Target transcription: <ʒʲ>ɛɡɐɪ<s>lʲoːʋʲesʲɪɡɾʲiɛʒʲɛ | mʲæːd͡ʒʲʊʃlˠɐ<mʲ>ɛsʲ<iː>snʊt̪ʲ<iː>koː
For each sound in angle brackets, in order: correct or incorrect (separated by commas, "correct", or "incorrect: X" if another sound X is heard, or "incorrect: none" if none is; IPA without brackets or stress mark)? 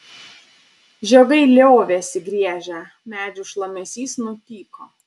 correct, incorrect: none, correct, correct, correct